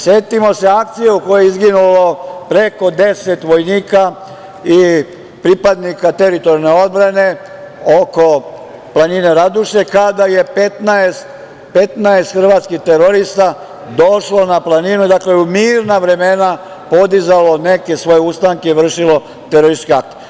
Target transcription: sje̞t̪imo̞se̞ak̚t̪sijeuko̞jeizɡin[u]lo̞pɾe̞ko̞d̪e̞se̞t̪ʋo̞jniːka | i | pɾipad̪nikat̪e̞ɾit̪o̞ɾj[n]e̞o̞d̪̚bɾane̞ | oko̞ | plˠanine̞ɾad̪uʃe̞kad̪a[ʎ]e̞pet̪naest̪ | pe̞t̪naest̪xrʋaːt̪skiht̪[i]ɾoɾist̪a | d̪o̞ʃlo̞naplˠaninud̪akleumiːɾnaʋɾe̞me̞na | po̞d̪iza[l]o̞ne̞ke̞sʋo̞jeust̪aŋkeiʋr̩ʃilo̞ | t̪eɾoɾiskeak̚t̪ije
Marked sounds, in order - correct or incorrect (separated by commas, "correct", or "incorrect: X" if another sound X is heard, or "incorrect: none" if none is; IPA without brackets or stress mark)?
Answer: correct, correct, incorrect: j, incorrect: e, correct